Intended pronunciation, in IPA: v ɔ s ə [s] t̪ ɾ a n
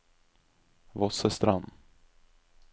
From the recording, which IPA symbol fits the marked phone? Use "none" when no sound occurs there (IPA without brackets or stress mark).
s